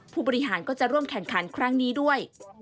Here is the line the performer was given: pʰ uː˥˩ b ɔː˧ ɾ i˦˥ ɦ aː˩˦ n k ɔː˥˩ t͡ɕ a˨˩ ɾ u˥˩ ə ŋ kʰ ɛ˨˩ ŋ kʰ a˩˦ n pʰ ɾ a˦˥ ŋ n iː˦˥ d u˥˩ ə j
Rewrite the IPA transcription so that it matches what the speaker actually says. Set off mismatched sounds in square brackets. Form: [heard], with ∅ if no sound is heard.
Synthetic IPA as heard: pʰ uː˥˩ b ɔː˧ ɾ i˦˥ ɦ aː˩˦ n k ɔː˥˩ t͡ɕ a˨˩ ɾ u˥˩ ə [m] kʰ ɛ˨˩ ŋ kʰ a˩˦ n [kʰ] ɾ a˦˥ ŋ n iː˦˥ d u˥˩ ə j